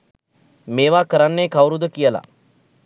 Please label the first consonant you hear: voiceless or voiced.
voiced